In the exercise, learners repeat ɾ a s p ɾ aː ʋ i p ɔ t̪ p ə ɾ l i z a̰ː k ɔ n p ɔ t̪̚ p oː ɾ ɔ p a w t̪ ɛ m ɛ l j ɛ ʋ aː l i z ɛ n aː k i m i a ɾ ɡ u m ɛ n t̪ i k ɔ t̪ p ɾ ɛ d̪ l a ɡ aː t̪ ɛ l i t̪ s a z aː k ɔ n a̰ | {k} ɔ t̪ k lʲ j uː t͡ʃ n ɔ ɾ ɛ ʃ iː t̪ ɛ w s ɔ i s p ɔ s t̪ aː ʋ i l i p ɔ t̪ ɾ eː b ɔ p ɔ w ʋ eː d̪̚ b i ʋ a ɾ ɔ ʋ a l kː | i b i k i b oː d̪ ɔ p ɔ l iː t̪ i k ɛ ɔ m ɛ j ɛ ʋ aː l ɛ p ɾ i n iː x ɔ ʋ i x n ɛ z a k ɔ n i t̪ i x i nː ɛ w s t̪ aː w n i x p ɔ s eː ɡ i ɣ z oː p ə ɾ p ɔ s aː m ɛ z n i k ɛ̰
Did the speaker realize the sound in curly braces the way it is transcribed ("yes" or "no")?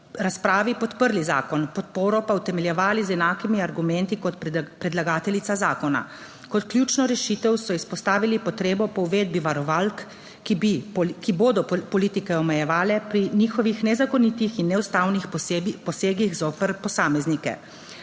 yes